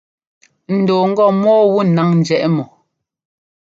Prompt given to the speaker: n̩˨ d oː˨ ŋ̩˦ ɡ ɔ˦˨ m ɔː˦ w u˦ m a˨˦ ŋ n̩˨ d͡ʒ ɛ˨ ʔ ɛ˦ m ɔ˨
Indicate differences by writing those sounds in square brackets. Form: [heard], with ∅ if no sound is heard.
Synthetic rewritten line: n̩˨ d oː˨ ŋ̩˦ ɡ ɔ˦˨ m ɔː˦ w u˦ [n] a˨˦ ŋ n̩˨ d͡ʒ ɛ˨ ʔ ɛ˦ m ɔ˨

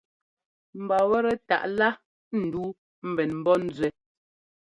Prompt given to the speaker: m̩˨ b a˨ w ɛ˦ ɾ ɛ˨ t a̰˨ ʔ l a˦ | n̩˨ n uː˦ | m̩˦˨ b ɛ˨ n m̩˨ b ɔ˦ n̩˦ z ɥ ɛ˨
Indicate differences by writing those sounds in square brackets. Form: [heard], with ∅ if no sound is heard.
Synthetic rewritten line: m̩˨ b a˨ w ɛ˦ ɾ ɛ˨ t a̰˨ ʔ l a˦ | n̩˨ [d] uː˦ | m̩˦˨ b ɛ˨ n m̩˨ b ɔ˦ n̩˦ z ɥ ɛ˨

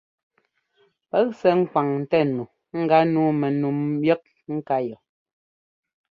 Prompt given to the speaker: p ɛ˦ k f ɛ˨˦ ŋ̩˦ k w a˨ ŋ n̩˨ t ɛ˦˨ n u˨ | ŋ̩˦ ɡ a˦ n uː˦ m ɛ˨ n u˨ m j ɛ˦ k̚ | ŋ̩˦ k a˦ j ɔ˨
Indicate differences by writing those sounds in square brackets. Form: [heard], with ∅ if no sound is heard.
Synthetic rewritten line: p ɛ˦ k [s] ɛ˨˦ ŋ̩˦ k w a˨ ŋ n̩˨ t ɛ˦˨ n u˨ | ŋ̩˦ ɡ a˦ n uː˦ m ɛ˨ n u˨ m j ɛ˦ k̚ | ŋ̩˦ k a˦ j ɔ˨

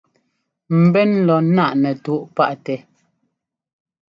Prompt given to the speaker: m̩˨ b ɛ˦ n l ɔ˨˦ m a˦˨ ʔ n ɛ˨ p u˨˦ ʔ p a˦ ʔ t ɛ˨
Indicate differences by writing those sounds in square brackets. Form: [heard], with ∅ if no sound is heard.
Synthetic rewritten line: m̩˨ b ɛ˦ n l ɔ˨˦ [n] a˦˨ ʔ n ɛ˨ [t] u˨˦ ʔ p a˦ ʔ t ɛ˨

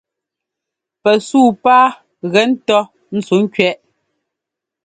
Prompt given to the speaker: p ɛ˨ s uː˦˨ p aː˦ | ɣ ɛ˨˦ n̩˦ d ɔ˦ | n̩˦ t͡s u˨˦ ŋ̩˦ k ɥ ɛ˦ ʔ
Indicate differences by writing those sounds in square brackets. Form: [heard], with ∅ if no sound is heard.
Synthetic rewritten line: p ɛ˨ s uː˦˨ p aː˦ | ɣ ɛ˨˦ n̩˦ [t] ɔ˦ | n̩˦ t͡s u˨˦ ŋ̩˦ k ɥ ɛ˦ ʔ

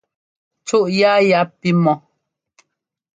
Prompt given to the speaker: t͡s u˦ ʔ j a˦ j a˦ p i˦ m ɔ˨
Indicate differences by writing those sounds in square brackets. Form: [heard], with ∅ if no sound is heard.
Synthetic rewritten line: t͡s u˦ ʔ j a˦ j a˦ p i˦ m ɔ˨

